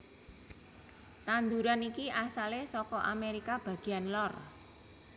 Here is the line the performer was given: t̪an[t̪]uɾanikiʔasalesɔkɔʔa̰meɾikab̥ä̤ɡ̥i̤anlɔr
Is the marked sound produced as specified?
no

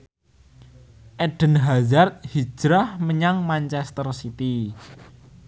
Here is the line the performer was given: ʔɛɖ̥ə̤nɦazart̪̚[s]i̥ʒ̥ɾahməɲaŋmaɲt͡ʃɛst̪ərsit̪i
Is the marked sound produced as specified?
no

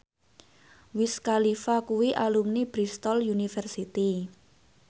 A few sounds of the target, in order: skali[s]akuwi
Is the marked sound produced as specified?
no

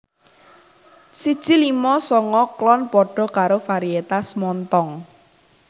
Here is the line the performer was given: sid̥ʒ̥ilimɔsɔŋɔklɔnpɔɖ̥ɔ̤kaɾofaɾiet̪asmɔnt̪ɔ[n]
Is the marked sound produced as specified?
no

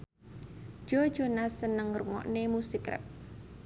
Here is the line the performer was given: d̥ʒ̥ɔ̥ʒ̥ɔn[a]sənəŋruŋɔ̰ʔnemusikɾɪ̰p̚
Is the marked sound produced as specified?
yes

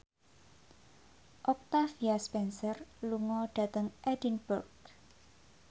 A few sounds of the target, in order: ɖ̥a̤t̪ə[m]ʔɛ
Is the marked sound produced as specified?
no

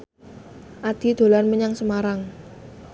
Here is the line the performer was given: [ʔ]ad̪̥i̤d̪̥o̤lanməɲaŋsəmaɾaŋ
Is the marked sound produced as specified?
yes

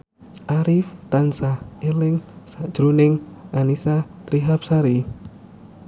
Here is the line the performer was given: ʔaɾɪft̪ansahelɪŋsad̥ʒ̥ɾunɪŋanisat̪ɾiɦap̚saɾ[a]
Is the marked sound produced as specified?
no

